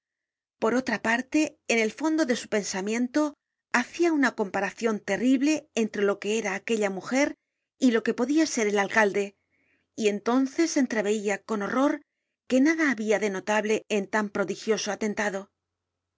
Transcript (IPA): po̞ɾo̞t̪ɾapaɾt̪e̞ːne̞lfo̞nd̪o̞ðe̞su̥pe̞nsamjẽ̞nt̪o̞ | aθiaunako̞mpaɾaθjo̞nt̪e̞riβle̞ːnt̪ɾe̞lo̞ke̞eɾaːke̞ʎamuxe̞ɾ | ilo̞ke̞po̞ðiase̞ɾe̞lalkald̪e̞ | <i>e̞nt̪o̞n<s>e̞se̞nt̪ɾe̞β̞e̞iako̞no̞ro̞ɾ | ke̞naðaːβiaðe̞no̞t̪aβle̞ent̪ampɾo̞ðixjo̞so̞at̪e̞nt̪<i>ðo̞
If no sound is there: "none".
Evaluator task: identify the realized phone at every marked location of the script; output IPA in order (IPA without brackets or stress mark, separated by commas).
i, θ, a